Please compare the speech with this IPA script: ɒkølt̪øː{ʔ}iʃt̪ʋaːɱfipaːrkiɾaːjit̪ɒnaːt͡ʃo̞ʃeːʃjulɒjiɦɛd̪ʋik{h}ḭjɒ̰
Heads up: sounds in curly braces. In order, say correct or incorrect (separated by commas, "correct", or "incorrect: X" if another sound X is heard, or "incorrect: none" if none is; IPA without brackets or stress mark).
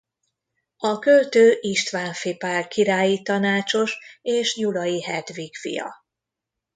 correct, incorrect: f